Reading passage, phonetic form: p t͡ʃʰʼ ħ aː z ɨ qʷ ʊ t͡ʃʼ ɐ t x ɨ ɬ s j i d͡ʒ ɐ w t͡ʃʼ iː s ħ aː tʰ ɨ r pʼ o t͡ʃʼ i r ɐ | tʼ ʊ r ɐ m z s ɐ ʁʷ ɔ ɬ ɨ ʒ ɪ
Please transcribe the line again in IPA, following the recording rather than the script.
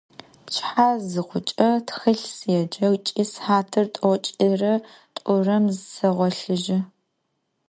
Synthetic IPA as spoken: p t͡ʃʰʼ ħ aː z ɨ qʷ ʊ t͡ʃʼ ɐ t x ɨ ɬ s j ɛ d͡ʒ ɐ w t͡ʃʼ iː s ħ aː tʰ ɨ r tʼ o t͡ʃʼ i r ɐ | tʼ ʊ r ɐ m z s ɐ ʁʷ ɔ ɬ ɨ ʒ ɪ

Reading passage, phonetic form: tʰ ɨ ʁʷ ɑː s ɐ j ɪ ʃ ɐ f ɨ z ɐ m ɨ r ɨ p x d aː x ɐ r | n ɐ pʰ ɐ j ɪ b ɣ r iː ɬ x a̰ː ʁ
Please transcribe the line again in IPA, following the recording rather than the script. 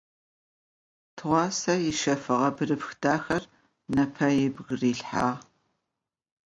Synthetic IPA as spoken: tʰ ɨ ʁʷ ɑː s ɐ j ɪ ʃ ɐ f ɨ ʁ ɐ b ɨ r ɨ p x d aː x ɐ r | n ɐ pʰ ɐ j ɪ b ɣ r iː ɬ ħ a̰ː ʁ

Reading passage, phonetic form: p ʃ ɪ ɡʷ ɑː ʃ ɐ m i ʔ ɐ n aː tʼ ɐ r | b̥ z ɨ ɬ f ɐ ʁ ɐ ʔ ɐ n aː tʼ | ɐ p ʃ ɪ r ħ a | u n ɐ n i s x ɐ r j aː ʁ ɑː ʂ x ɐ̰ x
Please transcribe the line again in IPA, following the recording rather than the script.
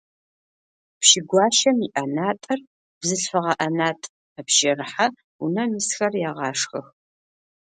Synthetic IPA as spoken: p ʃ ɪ ɡʷ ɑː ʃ ɐ m i ʔ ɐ n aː tʼ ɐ r | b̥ z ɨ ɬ f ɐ ʁ ɐ ʔ ɐ n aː tʼ | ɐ p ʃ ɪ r ħ a | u n ɐ m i s x ɐ r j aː ʁ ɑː ʂ x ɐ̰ x

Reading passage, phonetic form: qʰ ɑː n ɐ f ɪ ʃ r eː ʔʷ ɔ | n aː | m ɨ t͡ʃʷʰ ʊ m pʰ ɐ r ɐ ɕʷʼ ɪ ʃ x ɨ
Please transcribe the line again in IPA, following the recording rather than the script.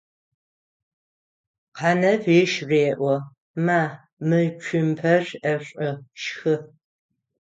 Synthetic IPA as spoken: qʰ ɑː n ɐ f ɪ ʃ r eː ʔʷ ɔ | m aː | m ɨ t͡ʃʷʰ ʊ m pʰ ɐ r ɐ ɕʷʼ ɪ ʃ x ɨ

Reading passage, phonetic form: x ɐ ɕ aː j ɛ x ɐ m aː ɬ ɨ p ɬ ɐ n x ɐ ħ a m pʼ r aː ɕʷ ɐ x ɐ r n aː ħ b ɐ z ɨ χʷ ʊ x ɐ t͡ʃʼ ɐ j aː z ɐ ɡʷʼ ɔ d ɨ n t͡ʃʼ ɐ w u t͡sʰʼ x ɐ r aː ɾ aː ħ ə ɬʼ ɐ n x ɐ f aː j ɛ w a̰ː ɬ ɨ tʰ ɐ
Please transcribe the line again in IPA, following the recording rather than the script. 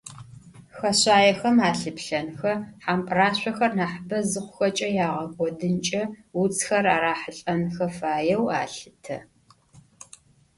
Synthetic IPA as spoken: x ɐ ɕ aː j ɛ x ɐ m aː ɬ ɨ p ɬ ɐ n x ɐ ħ a m pʼ r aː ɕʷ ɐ x ɐ r n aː ħ b ɐ z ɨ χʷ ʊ x ɐ t͡ʃʼ ɐ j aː ʁ ɐ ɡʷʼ ɔ d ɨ n t͡ʃʼ ɐ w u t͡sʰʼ x ɐ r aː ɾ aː ħ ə ɬʼ ɐ n x ɐ f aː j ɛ w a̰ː ɬ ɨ tʰ ɐ

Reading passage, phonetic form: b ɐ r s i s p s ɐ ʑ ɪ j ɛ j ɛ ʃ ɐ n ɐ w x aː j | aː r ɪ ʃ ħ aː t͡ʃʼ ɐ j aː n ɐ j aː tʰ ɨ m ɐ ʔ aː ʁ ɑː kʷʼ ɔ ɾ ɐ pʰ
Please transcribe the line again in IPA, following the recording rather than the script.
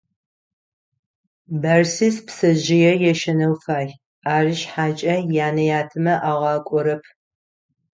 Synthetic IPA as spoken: b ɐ r s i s p s ɐ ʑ ɪ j ɛ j ɛ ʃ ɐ n ɐ w f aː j | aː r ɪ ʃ ħ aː t͡ʃʼ ɐ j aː n ɐ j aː tʰ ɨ m ɐ ʔ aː ʁ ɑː kʷʼ ɔ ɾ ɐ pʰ

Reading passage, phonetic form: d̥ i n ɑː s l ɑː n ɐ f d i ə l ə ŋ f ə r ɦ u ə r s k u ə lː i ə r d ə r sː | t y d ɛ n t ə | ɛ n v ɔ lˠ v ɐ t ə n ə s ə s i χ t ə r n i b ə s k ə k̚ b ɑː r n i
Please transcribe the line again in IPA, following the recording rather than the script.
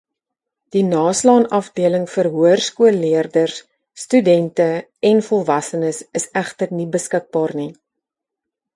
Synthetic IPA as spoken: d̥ i n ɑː s l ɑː n ɐ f d i ə l ə ŋ f ə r ɦ u ə r s k u ə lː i ə r d ə r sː | t y d ɛ n t ə | ɛ n f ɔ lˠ v ɐ s ə n ə s ə s æ χ t ə r n i b ə s k ə k̚ b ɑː r n i

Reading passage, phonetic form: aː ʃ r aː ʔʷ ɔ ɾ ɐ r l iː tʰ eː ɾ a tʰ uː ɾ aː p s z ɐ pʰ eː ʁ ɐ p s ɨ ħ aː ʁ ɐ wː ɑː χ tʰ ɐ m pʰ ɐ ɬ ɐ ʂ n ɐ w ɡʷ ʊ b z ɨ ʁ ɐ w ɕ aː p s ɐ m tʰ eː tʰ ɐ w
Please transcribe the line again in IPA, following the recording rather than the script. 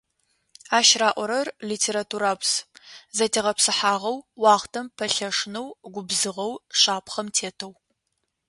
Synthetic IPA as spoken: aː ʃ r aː ʔʷ ɔ ɾ ɐ r l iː tʰ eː ɾ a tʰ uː ɾ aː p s z ɐ tʰ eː ʁ ɐ p s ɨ ħ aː ʁ ɐ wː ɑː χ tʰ ɐ m pʰ ɐ ɬ ɐ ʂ n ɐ w ɡʷ ʊ b z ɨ ʁ ɐ w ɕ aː p χ ɐ m tʰ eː tʰ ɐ w

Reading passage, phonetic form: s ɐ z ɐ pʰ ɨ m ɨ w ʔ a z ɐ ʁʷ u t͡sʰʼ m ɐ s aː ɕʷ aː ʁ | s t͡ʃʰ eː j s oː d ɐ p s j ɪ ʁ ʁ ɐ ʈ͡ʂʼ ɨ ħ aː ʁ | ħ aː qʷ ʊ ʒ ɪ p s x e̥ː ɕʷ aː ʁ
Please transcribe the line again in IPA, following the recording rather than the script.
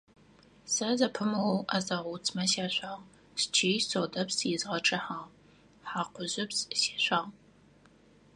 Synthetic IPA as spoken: s ɐ z ɐ pʰ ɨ m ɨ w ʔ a z ɐ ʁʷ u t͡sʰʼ m ɐ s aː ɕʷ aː ʁ | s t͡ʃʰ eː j s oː d ɐ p s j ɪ z ʁ ɐ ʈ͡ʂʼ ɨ ħ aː ʁ | ħ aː qʷ ʊ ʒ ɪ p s s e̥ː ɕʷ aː ʁ

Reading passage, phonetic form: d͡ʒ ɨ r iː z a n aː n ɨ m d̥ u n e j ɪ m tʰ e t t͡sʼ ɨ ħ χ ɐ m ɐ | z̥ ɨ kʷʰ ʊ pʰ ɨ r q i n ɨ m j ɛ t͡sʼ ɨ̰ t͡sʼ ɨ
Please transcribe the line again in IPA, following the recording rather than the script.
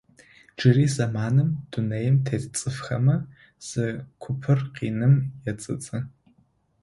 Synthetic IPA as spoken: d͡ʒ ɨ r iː z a m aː n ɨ m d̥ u n e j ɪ m tʰ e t t͡sʼ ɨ f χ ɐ m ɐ | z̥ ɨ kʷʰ ʊ pʰ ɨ r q i n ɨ m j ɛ t͡sʼ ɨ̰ t͡sʼ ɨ

